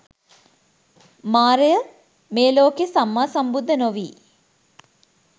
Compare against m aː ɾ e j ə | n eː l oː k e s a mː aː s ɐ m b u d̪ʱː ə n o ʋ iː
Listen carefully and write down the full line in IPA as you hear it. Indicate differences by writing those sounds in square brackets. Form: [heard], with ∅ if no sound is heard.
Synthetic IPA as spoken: m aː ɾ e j ə | [m] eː l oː k e s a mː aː s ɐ m b u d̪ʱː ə n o ʋ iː